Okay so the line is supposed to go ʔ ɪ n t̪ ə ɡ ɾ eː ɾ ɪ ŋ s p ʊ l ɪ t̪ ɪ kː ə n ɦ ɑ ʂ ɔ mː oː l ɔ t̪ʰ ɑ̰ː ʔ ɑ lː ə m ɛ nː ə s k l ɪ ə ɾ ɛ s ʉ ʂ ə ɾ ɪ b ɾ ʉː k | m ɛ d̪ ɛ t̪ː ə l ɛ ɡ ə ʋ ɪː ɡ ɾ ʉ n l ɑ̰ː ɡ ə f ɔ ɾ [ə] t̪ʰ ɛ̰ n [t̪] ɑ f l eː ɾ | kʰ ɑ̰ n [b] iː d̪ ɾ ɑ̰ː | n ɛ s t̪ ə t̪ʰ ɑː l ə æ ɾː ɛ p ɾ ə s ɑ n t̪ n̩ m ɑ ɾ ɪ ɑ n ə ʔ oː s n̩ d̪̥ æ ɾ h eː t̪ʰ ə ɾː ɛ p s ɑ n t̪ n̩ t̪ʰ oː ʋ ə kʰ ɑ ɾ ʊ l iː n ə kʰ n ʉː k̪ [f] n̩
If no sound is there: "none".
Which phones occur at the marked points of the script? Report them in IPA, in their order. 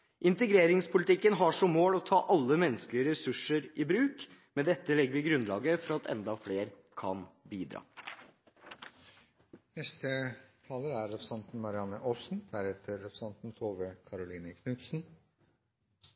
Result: ɑ, d̪, b, s

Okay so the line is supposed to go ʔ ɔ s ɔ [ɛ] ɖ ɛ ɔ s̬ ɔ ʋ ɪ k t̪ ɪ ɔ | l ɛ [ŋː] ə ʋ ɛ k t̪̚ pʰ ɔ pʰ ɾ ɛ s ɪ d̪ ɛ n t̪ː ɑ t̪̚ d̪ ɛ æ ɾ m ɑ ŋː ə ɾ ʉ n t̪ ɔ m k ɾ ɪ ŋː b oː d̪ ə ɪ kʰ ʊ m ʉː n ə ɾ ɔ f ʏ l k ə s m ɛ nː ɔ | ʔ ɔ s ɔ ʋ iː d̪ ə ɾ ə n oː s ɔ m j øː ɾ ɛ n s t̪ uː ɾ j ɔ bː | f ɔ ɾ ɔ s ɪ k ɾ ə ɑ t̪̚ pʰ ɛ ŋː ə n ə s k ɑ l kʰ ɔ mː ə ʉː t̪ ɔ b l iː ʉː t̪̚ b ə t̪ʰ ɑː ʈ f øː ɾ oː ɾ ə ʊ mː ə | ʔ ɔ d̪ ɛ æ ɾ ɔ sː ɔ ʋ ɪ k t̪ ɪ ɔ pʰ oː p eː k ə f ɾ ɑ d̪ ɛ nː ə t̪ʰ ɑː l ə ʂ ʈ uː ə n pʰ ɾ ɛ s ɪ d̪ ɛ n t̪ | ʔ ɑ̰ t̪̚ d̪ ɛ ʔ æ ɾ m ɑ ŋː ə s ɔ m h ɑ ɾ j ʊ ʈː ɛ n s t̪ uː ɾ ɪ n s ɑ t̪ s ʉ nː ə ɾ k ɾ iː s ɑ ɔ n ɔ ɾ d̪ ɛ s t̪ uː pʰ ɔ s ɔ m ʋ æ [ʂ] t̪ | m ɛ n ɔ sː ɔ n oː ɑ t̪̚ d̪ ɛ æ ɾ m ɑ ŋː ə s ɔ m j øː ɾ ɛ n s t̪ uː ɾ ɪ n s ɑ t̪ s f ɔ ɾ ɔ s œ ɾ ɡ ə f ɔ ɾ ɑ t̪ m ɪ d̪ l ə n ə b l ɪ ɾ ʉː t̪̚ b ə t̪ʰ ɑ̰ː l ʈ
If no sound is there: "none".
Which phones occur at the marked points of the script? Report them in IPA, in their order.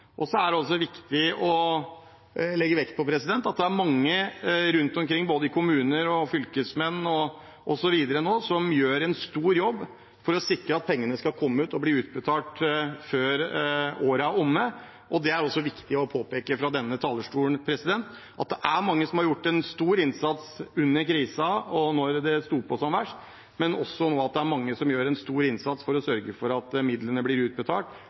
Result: æ, ɡː, ʂ

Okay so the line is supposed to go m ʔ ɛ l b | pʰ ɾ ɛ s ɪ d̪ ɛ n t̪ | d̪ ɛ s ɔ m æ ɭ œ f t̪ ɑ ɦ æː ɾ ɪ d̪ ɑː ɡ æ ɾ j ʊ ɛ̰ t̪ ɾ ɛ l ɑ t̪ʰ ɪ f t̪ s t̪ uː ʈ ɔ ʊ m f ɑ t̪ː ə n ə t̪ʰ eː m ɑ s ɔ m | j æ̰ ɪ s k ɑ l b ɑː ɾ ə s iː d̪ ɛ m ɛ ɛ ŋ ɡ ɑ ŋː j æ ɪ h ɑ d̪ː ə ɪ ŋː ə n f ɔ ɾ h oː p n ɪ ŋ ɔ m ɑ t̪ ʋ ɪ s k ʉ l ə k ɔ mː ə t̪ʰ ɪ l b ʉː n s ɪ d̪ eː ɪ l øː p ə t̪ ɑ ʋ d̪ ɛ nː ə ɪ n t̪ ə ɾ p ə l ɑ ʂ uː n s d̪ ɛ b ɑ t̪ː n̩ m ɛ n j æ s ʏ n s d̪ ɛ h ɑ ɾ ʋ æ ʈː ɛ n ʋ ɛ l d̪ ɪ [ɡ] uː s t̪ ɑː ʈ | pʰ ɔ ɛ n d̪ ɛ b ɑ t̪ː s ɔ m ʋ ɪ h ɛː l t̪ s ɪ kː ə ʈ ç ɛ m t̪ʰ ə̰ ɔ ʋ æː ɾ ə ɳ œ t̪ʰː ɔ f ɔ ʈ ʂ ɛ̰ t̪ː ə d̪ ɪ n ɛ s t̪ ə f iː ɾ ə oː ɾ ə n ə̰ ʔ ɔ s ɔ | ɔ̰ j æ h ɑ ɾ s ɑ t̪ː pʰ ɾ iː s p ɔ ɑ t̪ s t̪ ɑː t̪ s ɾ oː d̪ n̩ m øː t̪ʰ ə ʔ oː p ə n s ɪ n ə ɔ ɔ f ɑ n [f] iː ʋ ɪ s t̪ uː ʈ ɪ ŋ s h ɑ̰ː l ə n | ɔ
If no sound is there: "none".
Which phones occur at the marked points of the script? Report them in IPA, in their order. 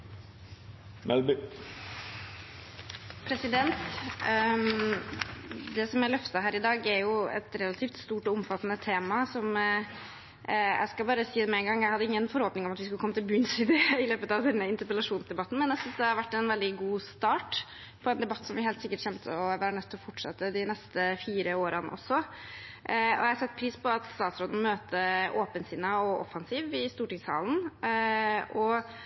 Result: ɡ, s

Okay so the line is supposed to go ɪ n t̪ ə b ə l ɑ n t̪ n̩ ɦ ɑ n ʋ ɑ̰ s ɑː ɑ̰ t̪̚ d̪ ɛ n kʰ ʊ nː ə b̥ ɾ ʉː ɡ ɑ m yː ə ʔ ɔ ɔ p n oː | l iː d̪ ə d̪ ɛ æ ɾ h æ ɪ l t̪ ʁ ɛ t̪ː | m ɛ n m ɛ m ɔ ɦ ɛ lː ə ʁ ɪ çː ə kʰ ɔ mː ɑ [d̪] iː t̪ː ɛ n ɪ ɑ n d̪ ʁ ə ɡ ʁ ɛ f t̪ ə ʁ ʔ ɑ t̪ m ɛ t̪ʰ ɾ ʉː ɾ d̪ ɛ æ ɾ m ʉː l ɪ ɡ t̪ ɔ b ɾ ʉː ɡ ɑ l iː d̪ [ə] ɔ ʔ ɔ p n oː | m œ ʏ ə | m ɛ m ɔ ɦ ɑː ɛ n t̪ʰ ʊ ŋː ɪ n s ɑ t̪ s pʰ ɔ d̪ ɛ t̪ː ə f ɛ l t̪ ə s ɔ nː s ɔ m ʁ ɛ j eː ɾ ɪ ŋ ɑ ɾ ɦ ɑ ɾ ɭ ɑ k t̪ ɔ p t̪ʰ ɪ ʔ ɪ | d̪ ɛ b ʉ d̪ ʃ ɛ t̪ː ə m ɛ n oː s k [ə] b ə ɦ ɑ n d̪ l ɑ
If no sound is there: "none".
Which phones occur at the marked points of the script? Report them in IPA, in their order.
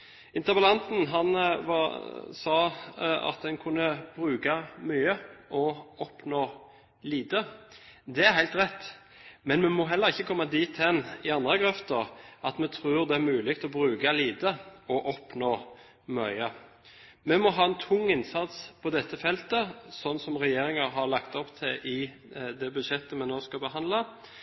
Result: d̪, ə, ɑ

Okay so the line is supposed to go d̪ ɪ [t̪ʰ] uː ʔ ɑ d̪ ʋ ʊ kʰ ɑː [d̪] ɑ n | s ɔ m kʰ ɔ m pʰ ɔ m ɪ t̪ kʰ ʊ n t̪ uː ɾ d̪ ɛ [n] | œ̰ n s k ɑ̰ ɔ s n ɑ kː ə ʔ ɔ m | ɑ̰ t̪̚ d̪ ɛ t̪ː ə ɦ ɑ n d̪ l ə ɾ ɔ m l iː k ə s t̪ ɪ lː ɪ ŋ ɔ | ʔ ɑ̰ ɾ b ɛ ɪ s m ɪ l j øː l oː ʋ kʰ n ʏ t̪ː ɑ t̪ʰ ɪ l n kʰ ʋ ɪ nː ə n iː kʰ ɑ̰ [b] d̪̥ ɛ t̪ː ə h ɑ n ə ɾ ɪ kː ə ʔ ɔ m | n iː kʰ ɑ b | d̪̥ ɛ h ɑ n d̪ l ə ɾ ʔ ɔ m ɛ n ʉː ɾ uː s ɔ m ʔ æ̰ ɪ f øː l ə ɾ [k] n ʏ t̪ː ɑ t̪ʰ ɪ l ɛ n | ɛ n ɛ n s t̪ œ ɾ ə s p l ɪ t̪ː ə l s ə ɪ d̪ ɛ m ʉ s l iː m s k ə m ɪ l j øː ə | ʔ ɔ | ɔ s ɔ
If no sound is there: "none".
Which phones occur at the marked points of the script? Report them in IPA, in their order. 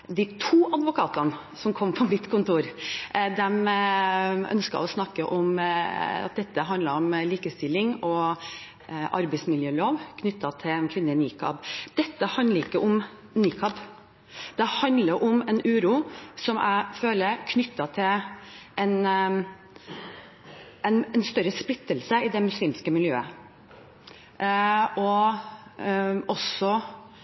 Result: t̪ʰ, t̪, m, b, kʰ

